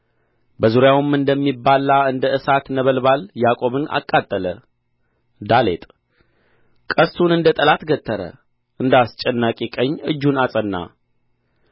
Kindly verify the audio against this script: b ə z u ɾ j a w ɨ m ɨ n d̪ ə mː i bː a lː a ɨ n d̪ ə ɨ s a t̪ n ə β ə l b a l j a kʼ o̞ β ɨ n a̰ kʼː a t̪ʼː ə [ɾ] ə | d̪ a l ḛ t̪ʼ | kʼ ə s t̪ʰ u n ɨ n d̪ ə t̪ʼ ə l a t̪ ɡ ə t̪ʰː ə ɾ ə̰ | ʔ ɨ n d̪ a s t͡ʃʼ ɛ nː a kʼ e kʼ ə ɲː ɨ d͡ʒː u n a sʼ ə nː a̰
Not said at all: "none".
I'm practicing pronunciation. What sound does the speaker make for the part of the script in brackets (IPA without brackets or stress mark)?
l